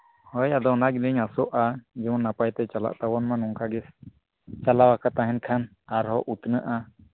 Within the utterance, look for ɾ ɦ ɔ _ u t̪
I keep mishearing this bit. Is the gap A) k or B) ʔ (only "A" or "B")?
B